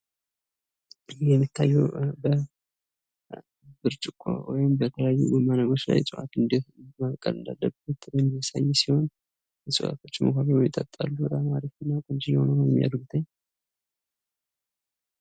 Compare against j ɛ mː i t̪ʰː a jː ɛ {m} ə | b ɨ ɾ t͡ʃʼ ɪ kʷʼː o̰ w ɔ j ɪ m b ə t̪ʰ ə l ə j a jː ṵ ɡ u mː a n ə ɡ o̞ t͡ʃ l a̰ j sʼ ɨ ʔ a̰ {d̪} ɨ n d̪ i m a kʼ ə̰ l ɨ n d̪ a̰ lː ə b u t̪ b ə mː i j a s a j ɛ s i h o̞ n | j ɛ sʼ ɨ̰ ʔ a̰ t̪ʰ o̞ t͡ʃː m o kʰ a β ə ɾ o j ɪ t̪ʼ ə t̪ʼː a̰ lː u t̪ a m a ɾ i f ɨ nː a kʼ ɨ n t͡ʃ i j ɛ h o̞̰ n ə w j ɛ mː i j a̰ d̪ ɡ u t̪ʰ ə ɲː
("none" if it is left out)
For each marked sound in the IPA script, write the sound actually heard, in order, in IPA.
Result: b, t̪

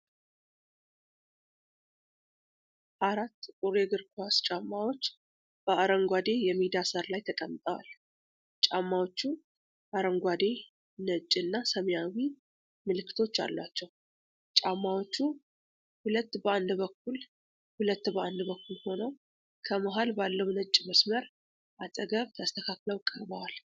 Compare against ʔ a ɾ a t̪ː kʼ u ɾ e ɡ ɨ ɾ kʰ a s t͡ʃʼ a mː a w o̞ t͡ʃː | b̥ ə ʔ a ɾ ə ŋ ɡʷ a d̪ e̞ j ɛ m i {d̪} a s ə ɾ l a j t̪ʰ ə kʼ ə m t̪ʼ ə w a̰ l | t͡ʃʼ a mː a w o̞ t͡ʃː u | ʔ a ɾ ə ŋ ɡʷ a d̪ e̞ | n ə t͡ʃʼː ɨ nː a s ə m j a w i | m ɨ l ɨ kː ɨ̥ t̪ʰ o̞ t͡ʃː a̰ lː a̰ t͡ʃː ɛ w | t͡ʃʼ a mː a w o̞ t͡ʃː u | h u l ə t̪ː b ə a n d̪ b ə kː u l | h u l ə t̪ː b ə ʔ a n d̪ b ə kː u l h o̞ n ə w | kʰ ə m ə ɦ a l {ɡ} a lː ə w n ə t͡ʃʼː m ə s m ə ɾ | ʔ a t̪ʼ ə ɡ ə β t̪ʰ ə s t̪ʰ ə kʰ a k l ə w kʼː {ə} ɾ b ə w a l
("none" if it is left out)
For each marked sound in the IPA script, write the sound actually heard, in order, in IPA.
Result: d̪, b, ə

